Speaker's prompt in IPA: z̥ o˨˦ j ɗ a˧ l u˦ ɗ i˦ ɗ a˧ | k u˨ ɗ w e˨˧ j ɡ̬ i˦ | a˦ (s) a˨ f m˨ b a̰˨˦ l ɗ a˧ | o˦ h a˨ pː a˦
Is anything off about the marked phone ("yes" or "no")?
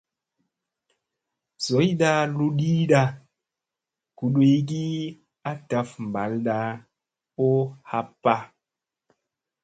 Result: yes